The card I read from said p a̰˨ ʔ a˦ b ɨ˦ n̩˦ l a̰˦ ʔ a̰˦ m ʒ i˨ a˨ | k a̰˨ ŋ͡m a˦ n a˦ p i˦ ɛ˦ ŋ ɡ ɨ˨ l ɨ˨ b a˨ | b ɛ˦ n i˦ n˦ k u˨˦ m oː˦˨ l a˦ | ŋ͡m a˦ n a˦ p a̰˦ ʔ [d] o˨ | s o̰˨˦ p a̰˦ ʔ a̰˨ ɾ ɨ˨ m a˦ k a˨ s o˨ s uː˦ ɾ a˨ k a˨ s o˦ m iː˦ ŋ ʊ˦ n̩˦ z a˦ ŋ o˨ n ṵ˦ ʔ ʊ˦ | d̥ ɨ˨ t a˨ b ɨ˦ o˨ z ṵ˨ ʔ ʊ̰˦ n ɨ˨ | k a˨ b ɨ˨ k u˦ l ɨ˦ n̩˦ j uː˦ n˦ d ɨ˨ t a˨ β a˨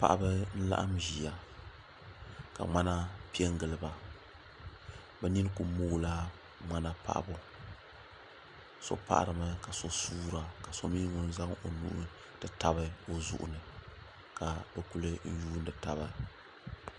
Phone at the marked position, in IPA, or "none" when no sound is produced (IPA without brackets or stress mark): b